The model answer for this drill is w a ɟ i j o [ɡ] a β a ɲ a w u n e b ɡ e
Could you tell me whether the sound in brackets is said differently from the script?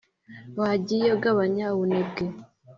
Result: no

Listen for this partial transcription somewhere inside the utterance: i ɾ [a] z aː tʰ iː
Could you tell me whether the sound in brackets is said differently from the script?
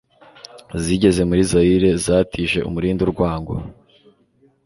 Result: yes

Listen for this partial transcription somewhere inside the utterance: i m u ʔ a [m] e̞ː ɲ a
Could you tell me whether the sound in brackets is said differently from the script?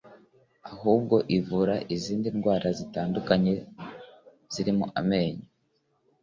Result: no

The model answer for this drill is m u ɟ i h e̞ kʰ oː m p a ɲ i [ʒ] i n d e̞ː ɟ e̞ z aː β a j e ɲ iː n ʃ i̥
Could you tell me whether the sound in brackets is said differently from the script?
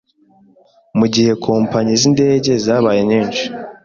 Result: yes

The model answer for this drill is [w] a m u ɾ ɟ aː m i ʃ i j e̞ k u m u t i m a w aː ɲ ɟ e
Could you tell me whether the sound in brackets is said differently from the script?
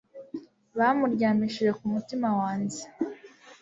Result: yes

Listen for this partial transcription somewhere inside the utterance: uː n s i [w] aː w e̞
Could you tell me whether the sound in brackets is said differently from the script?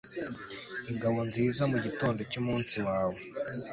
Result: no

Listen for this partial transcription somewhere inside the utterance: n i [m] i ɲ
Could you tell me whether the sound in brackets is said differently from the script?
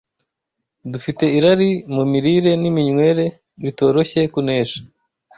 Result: no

